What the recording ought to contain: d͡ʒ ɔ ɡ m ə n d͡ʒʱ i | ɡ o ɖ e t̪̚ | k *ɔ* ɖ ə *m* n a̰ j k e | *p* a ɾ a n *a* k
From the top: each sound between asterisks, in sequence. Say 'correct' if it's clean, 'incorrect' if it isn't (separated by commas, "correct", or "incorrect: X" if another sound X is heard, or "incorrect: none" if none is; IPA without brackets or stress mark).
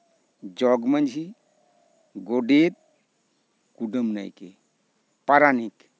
incorrect: u, correct, correct, incorrect: i